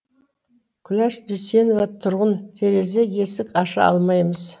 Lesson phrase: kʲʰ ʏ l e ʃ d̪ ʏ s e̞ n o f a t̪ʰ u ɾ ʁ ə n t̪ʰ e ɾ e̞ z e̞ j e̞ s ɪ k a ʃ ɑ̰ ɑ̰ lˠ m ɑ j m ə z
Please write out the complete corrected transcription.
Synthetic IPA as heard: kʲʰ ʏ l æ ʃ d̪ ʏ s e̞ n o v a t̪ʰ ʊ ɾ ʁ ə n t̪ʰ e ɾ e̞ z e̞ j e̞ s ɪ k ɑ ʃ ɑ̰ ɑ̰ lˠ m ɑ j m ə z